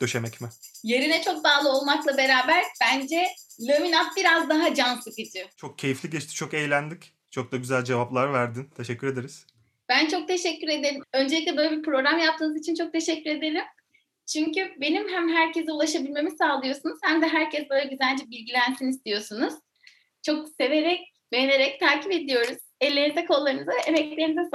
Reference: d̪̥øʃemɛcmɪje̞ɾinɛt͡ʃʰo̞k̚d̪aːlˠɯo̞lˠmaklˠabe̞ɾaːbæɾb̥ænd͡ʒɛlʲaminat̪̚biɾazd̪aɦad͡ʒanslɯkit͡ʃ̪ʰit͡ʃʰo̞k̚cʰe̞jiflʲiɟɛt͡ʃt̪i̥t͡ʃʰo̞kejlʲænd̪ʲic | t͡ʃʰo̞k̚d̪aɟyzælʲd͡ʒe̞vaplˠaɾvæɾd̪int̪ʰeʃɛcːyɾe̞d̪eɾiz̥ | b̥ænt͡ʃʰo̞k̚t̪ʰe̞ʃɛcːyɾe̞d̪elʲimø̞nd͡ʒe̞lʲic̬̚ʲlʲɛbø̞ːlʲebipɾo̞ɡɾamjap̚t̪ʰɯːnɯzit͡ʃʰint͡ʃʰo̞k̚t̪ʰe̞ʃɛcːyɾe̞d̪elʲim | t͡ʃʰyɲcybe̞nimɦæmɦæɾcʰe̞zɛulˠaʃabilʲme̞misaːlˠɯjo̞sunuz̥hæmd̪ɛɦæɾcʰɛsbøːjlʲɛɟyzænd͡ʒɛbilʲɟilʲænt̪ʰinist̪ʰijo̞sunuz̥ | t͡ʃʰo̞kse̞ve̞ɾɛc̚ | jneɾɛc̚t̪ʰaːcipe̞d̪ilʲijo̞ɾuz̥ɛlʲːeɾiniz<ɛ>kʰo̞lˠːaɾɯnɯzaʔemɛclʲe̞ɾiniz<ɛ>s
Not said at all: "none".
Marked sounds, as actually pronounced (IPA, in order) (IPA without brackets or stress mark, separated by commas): ɛ, ɛ